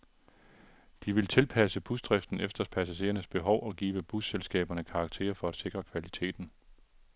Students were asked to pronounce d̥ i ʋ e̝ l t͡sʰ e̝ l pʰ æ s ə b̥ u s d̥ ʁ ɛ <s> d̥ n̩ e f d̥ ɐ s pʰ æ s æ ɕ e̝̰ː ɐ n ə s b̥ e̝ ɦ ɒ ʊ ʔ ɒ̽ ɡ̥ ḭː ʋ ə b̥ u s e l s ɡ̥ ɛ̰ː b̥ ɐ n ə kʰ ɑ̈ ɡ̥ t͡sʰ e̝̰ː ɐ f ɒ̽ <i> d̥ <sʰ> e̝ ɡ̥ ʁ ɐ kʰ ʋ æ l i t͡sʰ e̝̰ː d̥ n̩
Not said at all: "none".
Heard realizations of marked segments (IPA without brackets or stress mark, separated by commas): f, æ, sʰ